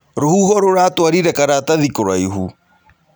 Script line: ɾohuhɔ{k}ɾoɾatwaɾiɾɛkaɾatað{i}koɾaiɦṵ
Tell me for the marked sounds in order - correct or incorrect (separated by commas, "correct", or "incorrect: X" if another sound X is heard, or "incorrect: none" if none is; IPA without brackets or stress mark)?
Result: incorrect: none, correct